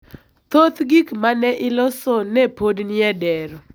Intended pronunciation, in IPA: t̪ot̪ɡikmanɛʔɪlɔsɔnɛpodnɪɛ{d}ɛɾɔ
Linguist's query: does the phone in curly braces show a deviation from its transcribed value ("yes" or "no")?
no